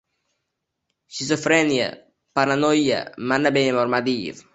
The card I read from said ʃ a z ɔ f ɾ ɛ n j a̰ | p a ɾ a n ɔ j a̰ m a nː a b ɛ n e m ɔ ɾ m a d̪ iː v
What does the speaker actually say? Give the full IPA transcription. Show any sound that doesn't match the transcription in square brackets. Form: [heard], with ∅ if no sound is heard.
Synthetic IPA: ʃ [i] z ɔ f ɾ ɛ n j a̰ | p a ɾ a n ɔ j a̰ m a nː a b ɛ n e m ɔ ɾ m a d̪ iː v